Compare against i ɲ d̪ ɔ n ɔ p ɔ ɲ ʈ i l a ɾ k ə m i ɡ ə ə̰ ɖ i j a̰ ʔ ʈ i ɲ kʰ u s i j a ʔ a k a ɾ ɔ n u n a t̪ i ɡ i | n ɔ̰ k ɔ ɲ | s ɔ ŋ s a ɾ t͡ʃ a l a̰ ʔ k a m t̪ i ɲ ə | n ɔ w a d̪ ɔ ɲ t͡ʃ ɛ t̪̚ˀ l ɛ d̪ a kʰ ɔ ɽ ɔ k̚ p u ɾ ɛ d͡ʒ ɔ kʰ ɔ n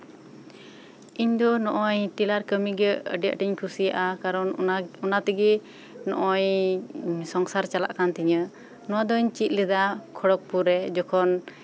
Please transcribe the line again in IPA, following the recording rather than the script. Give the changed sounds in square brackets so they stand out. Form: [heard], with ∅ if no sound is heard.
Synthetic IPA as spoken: i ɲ d̪ ɔ n ɔ [ʔ] ɔ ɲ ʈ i l a ɾ k ə m i ɡ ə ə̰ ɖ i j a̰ ʔ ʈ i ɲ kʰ u s i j a ʔ a k a ɾ ɔ n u n a t̪ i ɡ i | n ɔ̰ [ʔ] ɔ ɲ | s ɔ ŋ s a ɾ t͡ʃ a l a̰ ʔ k a [n] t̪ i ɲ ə | n ɔ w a d̪ ɔ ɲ t͡ʃ [i] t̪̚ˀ l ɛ d̪ a kʰ ɔ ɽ ɔ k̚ p u ɾ ɛ d͡ʒ ɔ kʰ ɔ n